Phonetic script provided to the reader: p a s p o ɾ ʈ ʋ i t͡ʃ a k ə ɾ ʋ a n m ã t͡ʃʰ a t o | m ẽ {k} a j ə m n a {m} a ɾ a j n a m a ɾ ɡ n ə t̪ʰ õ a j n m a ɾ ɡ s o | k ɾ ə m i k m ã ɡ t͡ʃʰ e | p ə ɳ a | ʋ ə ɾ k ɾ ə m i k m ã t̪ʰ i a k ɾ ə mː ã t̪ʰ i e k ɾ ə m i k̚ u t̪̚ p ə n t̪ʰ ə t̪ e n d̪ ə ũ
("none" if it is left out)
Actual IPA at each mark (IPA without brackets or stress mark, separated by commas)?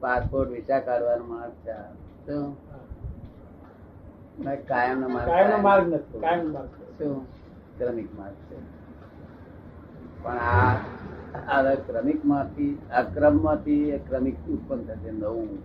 k, m